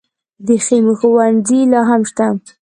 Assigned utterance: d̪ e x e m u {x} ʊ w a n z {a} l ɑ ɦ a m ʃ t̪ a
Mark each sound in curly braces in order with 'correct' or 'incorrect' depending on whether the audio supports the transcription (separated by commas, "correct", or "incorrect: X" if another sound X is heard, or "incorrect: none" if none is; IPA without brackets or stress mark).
correct, incorrect: i